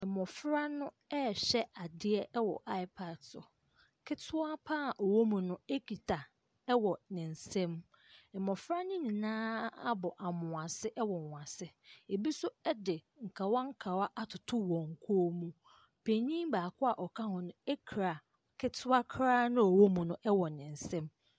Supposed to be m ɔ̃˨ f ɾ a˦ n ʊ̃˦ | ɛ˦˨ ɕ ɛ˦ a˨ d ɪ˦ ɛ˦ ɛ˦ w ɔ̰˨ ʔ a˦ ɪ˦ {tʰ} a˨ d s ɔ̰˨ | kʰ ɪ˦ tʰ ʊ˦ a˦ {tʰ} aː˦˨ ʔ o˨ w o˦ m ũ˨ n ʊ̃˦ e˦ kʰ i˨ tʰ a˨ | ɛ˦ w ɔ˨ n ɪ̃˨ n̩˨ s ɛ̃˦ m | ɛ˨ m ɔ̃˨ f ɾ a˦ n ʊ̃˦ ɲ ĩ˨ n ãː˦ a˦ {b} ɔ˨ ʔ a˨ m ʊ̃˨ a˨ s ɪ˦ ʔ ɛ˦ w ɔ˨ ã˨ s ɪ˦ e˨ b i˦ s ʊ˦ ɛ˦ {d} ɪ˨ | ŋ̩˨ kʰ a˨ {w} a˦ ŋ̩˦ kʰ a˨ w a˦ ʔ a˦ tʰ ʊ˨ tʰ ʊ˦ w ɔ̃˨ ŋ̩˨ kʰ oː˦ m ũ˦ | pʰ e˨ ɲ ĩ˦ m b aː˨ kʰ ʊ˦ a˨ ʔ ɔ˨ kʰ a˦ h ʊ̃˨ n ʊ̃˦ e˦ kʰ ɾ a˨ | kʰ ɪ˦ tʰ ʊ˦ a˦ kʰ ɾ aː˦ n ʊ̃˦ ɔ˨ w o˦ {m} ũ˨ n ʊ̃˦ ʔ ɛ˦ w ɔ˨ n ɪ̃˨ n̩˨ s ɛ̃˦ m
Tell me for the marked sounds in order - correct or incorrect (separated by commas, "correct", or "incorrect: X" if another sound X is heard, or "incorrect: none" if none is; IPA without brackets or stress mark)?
incorrect: pʰ, incorrect: pʰ, correct, correct, correct, correct